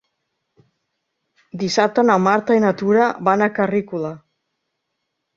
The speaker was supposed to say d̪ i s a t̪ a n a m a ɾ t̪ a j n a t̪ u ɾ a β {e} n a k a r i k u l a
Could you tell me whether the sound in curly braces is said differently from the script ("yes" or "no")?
yes